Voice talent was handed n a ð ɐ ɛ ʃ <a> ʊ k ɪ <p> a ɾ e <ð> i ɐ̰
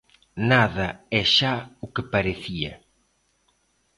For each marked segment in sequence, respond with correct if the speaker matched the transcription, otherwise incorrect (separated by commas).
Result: correct, correct, incorrect